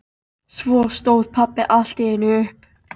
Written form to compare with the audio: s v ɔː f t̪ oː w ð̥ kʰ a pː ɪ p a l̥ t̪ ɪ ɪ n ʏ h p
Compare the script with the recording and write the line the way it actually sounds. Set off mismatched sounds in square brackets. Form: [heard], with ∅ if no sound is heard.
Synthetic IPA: s v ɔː [s] t̪ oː w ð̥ [pʰ] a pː ɪ [ʔ] a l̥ t̪ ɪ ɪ n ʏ h p